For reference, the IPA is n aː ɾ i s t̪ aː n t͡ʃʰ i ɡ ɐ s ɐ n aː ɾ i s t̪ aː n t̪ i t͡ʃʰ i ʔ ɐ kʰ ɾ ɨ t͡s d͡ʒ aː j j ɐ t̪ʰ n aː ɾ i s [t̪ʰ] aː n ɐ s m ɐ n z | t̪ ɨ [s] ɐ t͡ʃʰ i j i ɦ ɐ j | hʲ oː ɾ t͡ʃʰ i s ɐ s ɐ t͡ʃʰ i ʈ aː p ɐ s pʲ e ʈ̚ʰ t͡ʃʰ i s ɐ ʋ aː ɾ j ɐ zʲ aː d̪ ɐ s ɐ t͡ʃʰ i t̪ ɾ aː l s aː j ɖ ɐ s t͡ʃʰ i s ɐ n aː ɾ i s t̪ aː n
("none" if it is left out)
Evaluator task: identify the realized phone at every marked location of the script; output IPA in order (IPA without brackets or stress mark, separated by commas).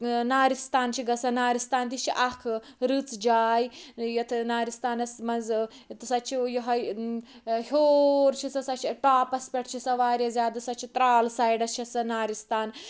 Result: t̪, s